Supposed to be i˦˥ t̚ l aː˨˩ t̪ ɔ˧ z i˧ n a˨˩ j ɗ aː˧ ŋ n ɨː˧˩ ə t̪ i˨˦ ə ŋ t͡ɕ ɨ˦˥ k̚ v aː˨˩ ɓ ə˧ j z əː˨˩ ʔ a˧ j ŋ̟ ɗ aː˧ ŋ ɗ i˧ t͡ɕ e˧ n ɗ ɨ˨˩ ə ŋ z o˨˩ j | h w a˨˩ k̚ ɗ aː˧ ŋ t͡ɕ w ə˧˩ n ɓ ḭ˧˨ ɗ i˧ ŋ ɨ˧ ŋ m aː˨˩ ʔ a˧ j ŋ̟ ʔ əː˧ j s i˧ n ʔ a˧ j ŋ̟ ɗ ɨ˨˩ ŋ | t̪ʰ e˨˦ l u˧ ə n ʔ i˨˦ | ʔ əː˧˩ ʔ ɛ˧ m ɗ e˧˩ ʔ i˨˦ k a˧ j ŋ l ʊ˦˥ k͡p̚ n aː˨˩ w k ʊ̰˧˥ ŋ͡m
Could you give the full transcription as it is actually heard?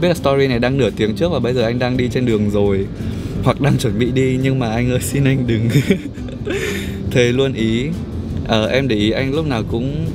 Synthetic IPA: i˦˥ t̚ l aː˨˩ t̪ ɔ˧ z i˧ n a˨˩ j ɗ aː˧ ŋ n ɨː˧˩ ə t̪ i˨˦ ə ŋ t͡ɕ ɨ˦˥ k̚ v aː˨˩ ɓ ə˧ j z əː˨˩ ʔ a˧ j ŋ̟ ɗ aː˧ ŋ ɗ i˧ t͡ɕ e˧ n ɗ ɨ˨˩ ə ŋ z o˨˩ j | h w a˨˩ k̚ ɗ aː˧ ŋ t͡ɕ w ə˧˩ n ɓ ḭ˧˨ ɗ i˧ ɲ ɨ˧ ŋ m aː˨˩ ʔ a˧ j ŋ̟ ʔ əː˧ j s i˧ n ʔ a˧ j ŋ̟ ɗ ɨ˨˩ ŋ | t̪ʰ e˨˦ l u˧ ə n ʔ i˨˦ | ʔ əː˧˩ ʔ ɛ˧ m ɗ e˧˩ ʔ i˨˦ ʔ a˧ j ŋ l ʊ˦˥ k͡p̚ n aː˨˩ w k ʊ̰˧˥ ŋ͡m